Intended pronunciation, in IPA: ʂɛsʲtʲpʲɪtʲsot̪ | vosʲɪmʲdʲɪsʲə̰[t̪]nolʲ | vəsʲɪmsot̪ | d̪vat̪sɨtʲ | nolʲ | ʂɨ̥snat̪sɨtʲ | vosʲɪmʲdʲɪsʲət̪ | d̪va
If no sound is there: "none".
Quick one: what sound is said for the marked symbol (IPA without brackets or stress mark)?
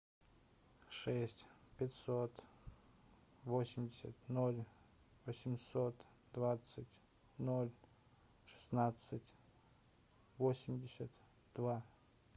t̪